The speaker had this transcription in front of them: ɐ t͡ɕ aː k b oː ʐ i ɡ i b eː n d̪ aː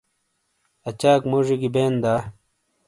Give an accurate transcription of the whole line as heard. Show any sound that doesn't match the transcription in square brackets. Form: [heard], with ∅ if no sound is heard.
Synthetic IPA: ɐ t͡ɕ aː k [m] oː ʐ i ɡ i b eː n d̪ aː

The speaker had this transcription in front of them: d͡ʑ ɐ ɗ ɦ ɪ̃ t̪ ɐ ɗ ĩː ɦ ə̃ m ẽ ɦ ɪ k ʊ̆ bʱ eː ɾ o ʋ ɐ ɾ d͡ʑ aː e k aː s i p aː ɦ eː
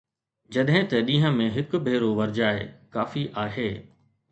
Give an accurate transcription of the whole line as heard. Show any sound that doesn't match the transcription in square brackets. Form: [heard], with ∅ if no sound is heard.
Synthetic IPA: d͡ʑ ɐ ɗ ɦ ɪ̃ t̪ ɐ ɗ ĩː ɦ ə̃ m ẽ ɦ ɪ k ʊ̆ bʱ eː ɾ o ʋ ɐ ɾ d͡ʑ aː e k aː [f] i [ʔ] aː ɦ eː

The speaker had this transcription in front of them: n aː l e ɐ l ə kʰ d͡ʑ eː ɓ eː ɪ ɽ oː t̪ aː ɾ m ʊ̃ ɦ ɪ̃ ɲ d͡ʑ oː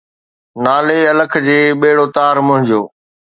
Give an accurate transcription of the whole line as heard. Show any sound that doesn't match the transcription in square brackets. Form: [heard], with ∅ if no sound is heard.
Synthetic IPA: n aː l e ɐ l ə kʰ d͡ʑ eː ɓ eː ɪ ɽ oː t̪ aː ɾ m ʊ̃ ɦ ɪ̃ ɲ d͡ʑ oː

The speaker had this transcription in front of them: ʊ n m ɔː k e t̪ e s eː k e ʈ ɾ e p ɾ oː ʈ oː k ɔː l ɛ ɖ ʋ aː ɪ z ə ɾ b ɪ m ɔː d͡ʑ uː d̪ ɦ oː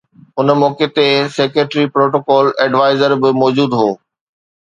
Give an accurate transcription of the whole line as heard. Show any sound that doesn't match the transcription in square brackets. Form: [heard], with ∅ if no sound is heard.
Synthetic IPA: ʊ n m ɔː k e t̪ e s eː k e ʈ ɾ [i] p ɾ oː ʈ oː k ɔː l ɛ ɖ ʋ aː ɪ z ə ɾ b ɪ m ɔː d͡ʑ uː d̪ ɦ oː

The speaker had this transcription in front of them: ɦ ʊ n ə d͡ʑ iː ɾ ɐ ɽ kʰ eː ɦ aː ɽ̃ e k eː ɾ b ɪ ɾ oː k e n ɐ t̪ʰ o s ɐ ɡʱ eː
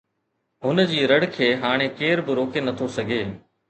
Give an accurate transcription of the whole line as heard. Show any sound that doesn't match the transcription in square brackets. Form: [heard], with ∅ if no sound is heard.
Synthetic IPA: ɦ ʊ n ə d͡ʑ iː ɾ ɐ ɽ kʰ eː ɦ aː ɽ̃ e k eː ɾ b ɪ ɾ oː k e n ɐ t̪ʰ o s ɐ ɡʱ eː

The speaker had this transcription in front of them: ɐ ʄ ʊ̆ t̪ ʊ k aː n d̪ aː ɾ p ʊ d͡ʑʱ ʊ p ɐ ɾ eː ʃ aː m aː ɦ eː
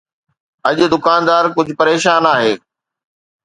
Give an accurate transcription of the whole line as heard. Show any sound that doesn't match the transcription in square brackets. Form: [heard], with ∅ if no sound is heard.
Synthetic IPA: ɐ ʄ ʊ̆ [d̪] ʊ k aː n d̪ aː ɾ [k] ʊ d͡ʑʱ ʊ p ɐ ɾ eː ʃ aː [n] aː ɦ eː

